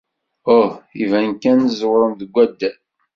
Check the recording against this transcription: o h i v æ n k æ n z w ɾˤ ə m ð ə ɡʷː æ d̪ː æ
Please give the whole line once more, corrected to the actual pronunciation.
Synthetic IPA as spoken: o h i v æ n k æ n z w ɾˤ ə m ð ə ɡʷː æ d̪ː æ